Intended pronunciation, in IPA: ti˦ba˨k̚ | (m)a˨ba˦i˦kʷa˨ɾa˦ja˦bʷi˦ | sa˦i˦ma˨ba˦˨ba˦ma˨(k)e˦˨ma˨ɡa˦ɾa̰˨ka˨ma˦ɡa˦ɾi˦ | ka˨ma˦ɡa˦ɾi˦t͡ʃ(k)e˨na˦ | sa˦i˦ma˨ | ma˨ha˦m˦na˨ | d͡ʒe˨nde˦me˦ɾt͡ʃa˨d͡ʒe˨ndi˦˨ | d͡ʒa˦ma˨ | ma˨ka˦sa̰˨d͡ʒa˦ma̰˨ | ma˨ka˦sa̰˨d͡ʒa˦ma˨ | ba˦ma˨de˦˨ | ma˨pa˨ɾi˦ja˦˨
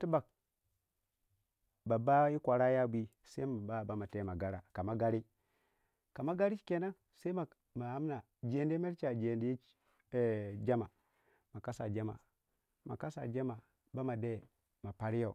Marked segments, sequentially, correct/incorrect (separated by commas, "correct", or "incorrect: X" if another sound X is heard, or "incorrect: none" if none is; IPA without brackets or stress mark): incorrect: b, incorrect: t, correct